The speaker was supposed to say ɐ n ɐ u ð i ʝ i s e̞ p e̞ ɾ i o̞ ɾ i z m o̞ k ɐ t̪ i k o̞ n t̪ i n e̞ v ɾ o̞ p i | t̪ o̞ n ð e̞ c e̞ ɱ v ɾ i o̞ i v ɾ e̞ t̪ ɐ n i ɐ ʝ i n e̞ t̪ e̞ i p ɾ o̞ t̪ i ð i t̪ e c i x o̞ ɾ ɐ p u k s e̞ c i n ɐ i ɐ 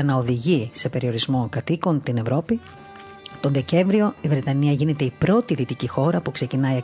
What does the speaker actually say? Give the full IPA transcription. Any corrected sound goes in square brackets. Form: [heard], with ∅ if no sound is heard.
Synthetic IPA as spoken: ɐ n ɐ [o] ð i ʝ i s e̞ p e̞ ɾ i o̞ ɾ i z m o̞ k ɐ t̪ i k o̞ n t̪ i n e̞ v ɾ o̞ p i | t̪ o̞ n ð e̞ c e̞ ɱ v ɾ i o̞ i v ɾ e̞ t̪ ɐ n i ɐ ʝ i n e̞ t̪ e̞ i p ɾ o̞ t̪ i ð i t̪ [i] c i x o̞ ɾ ɐ p u k s e̞ c i n ɐ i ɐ